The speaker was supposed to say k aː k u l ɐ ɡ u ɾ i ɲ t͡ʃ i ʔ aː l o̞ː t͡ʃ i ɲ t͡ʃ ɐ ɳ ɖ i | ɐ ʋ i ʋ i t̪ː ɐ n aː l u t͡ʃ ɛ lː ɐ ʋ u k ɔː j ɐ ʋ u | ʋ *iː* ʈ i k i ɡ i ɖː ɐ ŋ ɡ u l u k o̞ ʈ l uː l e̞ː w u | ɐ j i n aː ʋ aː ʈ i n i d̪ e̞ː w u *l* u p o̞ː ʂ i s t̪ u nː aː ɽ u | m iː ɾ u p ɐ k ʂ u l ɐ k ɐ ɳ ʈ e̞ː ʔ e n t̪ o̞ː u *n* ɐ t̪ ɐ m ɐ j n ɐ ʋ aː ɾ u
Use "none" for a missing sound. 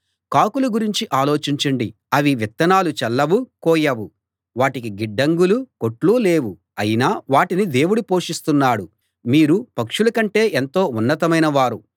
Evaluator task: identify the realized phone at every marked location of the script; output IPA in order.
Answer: aː, ɽ, nː

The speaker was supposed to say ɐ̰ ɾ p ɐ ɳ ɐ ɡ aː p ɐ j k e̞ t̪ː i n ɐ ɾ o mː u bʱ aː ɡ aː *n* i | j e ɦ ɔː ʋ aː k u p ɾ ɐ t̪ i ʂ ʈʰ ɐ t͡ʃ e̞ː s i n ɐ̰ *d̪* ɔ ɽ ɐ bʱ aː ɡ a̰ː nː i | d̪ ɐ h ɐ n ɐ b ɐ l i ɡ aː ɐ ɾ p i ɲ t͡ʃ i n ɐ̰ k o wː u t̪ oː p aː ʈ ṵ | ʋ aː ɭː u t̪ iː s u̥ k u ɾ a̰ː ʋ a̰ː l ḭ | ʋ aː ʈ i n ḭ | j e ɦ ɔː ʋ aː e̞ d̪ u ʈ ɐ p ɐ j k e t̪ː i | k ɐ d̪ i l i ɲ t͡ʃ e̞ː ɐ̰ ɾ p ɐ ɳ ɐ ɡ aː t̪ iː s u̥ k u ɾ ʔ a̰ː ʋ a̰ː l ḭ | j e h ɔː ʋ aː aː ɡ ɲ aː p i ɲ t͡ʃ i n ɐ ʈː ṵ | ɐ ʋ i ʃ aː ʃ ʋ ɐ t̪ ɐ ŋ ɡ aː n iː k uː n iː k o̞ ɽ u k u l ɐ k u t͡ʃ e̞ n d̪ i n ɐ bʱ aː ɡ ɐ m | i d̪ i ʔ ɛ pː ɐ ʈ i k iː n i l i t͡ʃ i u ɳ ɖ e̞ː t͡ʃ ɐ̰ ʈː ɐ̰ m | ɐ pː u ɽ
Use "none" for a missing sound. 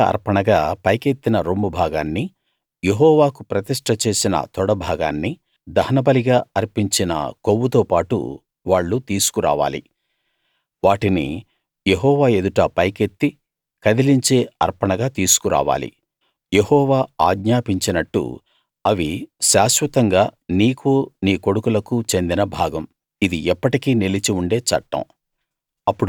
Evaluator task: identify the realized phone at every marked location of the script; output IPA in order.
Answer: nː, t̪

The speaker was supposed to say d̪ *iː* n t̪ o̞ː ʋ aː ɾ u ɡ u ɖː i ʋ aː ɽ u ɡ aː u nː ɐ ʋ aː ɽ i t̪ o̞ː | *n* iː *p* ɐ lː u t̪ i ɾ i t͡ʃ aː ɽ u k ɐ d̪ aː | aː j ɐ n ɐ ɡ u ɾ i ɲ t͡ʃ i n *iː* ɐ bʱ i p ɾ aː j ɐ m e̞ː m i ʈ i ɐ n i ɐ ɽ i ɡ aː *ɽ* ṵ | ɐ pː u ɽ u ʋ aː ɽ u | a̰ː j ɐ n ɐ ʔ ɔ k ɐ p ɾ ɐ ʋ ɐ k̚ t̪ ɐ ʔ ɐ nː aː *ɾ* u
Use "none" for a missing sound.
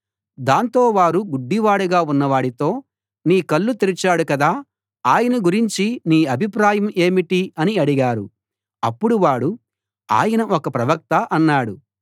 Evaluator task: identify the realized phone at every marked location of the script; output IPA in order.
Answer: aː, n, k, iː, ɾ, ɽ

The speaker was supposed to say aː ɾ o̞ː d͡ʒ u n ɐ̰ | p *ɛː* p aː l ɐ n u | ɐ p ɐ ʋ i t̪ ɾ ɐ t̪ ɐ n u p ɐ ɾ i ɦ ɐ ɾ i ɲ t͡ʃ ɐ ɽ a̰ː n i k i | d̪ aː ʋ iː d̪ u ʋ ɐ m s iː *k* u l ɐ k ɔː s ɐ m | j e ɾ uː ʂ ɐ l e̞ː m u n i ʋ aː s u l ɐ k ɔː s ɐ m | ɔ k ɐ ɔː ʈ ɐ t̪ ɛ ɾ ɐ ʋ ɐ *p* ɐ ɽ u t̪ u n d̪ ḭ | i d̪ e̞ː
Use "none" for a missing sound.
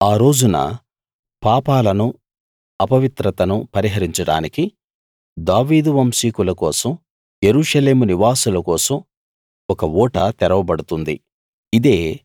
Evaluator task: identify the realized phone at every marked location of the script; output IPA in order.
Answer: aː, k, b

